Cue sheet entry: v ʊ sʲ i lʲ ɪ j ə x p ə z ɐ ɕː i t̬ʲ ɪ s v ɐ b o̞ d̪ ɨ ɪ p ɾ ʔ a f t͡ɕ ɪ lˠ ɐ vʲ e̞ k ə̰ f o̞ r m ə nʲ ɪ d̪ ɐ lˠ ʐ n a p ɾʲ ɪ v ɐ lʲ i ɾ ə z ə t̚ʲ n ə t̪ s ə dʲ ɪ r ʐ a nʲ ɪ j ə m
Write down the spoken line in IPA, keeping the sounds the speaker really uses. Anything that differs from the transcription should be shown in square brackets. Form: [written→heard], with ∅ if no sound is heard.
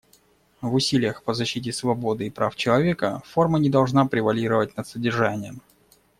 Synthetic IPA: v ʊ sʲ i lʲ ɪ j ə x p ə z ɐ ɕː i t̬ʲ ɪ s v ɐ b o̞ d̪ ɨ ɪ p ɾ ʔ a f t͡ɕ ɪ lˠ ɐ vʲ e̞ k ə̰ f o̞ r m ə nʲ ɪ d̪ ɐ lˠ ʐ n a p ɾʲ ɪ v ɐ lʲ i ɾ ə [z→v] ə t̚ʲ n ə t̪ s ə dʲ ɪ r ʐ a nʲ ɪ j ə m